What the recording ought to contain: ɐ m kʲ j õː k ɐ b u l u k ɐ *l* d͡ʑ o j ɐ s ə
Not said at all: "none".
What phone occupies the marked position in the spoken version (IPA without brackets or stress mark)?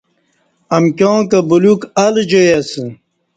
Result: l